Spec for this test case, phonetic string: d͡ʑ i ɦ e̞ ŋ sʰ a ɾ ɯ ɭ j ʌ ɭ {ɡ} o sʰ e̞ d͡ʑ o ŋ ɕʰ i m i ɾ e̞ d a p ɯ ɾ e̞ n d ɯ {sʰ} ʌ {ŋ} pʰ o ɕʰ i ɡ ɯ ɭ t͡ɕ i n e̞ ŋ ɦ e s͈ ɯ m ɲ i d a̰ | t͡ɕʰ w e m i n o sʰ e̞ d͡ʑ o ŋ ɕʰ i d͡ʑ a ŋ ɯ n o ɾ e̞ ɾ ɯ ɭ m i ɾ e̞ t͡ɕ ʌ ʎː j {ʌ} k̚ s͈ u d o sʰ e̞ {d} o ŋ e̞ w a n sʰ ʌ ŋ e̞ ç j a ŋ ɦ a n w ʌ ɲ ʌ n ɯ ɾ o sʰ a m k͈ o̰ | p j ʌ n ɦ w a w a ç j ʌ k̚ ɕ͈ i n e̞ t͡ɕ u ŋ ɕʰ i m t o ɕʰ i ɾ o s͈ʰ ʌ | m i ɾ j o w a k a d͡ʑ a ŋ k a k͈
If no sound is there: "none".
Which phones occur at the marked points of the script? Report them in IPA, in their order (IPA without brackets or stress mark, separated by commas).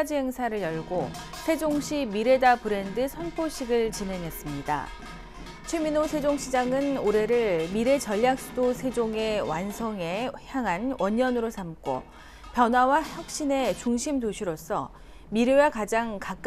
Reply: ɡ, sʰ, n, a, d͡ʑ